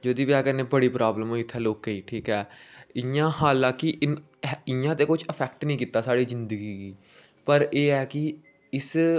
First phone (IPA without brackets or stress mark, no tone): d͡ʒ